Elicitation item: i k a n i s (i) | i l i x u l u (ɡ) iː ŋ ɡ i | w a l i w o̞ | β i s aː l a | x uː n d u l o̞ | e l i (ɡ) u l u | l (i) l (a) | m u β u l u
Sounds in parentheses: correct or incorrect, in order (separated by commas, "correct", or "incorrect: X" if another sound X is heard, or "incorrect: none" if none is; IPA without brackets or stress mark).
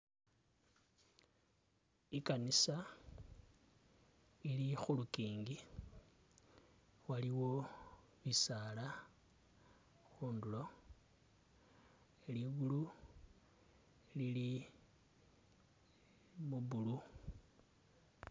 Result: incorrect: a, incorrect: k, correct, correct, incorrect: i